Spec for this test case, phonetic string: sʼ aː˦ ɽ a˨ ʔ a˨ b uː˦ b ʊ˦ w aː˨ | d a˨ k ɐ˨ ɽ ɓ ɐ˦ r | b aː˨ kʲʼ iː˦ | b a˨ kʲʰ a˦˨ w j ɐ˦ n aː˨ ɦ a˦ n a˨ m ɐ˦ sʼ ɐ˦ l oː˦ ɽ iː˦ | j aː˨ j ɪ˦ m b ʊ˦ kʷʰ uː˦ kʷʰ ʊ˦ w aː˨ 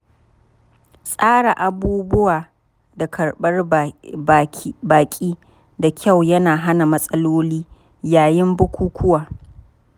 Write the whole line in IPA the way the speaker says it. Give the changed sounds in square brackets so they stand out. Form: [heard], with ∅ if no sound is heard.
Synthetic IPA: sʼ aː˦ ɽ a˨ ʔ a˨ b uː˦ b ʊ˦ w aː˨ | d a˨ k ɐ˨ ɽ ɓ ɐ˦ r | b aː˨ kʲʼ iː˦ | [d] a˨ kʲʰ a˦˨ w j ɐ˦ n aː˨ ɦ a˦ n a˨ m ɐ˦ sʼ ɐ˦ l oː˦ [l] iː˦ | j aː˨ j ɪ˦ m b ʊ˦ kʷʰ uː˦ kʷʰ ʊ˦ w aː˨

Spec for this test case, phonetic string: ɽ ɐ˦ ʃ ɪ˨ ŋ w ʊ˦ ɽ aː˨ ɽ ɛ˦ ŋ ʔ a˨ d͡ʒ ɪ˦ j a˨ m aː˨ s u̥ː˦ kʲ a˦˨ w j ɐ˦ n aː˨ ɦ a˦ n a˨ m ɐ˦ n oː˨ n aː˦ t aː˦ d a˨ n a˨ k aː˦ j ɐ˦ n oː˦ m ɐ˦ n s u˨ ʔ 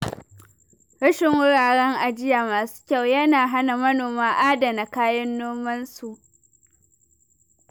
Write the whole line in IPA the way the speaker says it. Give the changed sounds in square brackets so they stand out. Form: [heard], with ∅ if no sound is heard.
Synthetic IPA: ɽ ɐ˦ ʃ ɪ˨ ŋ w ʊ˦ ɽ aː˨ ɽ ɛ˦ ŋ ʔ a˨ d͡ʒ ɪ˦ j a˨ m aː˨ s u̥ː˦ kʲ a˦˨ w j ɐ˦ n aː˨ ɦ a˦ n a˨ m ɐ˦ n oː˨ [m] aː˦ [ʔ] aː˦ d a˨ n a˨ k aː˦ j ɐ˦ [nː] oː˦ m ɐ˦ n s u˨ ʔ

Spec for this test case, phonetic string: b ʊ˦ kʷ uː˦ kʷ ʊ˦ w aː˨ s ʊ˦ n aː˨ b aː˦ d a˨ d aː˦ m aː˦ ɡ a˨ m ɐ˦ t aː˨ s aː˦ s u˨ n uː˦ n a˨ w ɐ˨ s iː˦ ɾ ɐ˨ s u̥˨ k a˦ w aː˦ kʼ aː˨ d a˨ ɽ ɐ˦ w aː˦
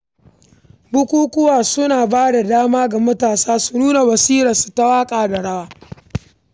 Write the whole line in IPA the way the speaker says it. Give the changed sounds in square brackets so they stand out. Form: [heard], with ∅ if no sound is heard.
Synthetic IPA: b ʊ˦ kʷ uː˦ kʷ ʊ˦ w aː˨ s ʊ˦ n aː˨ b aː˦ d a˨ d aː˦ m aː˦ ɡ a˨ m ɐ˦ t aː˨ s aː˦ s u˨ n uː˦ n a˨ w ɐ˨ s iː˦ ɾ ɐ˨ s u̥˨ [t] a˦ w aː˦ kʼ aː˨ d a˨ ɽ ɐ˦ w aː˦

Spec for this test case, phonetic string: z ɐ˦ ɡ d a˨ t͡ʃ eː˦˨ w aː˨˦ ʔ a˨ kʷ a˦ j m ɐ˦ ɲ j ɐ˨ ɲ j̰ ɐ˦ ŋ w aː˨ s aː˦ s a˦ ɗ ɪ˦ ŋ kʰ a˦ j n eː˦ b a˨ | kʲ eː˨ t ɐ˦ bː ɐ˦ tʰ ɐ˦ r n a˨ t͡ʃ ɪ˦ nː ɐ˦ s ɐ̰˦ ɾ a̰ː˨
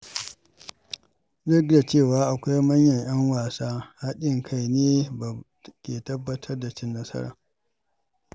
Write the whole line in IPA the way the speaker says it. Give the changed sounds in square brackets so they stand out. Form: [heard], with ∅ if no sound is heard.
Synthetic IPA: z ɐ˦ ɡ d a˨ t͡ʃ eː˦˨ w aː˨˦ ʔ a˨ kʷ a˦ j m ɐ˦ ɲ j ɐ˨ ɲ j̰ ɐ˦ ŋ w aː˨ s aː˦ [h] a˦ ɗ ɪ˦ ŋ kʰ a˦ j n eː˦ b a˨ | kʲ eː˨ t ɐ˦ bː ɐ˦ tʰ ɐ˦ r [d] a˨ t͡ʃ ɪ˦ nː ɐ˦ s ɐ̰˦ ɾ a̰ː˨

